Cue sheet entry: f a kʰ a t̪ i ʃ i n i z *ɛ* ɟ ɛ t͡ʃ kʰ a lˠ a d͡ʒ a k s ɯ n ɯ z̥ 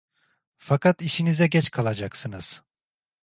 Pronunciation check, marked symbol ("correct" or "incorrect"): correct